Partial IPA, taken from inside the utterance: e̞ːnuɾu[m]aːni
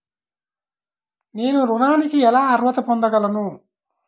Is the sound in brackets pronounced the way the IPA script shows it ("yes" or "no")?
no